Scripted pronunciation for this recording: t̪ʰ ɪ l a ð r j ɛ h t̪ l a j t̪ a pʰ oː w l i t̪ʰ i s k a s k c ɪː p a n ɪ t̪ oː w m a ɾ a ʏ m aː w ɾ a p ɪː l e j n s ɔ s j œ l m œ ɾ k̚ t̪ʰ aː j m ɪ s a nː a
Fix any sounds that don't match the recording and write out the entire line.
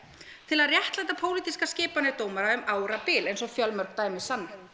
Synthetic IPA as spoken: t̪ʰ ɪ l a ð r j ɛ h t̪ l a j t̪ a pʰ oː w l i t̪ i s k a s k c ɪː p a n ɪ t̪ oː w m a ɾ a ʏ m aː w ɾ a p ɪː l e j n s ɔ f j œ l m œ ɾ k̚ t̪ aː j m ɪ s a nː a